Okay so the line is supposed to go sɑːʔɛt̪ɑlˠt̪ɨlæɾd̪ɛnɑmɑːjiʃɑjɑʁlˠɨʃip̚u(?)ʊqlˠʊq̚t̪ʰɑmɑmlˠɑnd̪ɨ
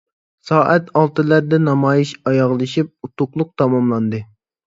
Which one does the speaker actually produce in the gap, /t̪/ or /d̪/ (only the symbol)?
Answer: t̪